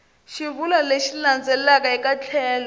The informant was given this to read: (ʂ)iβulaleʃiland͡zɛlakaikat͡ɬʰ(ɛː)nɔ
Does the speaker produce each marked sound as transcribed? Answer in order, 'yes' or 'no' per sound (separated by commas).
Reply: no, yes